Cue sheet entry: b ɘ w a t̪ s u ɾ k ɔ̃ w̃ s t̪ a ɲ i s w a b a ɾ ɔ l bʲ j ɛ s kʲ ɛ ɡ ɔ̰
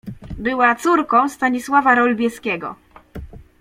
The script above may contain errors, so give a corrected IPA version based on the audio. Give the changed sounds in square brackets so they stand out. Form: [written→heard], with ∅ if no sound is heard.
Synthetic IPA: b ɘ w a t̪ s u ɾ k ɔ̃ w̃ s t̪ a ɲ i s w a [b→v] a ɾ ɔ l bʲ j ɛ s kʲ ɛ ɡ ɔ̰